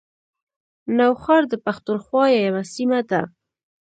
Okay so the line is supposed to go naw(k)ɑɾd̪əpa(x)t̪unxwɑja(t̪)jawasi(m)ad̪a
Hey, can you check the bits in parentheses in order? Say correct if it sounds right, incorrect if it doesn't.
incorrect, correct, incorrect, correct

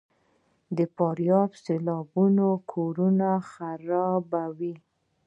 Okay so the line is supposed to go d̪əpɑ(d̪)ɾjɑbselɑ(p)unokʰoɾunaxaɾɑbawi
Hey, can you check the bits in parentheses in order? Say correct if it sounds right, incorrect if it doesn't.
incorrect, incorrect

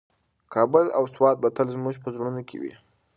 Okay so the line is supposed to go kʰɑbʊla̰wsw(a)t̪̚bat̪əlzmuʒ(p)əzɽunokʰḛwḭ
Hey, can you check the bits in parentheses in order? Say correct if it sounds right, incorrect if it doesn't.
incorrect, correct

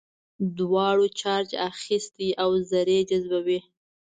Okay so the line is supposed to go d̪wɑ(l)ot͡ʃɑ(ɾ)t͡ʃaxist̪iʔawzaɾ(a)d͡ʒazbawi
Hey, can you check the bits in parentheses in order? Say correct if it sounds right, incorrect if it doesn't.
incorrect, correct, incorrect

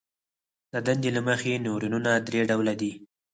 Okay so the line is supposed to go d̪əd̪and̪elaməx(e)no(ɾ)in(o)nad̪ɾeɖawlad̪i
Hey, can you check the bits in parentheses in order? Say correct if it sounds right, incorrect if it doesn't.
correct, correct, incorrect

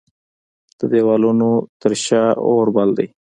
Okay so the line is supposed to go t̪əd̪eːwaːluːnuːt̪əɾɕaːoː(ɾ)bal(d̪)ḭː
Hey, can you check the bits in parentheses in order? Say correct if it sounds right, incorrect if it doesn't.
correct, correct

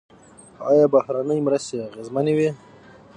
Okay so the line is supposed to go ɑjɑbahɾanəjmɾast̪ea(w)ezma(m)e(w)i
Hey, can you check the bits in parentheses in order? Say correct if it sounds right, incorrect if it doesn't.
incorrect, incorrect, correct

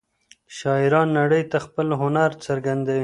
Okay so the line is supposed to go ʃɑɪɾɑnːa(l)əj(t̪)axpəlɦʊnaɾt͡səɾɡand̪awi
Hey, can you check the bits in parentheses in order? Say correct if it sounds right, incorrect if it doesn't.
incorrect, correct

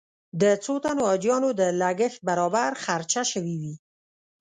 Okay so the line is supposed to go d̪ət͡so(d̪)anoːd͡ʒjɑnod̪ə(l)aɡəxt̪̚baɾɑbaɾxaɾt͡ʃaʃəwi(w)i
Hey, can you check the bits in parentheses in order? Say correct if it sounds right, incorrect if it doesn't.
incorrect, correct, correct

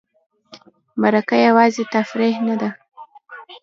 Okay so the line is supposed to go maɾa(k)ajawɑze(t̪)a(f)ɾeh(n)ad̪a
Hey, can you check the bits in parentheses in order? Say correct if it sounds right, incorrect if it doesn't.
correct, correct, correct, correct

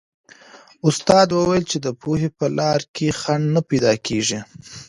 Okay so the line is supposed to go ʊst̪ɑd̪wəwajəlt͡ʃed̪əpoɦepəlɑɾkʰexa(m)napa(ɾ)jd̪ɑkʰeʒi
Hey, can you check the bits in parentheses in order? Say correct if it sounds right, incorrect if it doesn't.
incorrect, incorrect

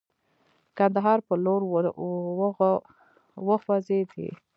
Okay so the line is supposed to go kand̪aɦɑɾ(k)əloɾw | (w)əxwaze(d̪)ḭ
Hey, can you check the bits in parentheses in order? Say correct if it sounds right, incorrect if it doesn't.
incorrect, correct, correct

